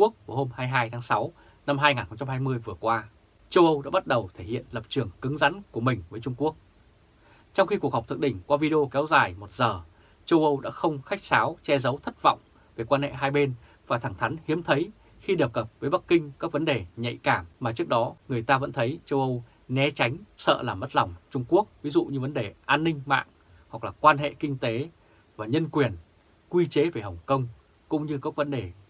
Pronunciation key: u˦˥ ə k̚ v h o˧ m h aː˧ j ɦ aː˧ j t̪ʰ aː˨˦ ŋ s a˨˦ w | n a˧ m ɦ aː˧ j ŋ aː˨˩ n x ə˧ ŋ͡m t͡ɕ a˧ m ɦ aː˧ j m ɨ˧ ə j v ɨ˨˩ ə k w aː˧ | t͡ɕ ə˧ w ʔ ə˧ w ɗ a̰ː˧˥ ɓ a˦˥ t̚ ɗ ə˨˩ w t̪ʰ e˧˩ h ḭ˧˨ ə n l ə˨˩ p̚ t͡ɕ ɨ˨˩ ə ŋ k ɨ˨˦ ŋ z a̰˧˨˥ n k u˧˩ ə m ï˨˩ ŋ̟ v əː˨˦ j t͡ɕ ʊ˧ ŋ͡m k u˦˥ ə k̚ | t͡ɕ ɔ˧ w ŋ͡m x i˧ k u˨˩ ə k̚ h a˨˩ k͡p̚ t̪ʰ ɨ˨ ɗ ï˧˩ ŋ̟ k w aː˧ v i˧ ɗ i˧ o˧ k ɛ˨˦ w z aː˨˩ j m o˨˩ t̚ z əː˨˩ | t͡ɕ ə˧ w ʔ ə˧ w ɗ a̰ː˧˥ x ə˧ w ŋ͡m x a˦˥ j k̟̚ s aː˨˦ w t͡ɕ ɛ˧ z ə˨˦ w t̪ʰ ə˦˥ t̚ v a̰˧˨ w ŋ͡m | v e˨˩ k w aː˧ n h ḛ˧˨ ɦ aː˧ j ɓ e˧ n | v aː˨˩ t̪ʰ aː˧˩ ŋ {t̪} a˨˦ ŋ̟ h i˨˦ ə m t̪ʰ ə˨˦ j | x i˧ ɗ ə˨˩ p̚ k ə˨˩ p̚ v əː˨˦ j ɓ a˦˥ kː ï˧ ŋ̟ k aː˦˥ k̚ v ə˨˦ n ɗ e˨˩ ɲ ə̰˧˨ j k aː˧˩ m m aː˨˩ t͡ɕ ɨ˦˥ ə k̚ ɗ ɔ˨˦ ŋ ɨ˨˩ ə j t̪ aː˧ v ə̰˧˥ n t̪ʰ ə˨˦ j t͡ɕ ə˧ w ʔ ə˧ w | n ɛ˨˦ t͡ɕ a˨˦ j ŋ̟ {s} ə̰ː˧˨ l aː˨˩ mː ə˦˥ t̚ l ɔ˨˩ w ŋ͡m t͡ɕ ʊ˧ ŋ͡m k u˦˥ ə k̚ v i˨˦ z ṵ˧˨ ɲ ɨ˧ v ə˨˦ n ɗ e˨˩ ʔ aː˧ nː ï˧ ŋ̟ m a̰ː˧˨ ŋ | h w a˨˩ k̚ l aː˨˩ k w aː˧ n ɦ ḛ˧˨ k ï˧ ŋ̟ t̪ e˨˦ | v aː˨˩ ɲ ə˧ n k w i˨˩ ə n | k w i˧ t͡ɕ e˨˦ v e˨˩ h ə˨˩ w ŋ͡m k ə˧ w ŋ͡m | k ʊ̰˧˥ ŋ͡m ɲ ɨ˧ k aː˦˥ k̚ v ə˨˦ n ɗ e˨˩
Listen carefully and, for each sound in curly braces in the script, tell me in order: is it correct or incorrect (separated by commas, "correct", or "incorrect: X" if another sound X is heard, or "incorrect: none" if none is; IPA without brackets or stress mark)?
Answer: incorrect: t̪ʰ, correct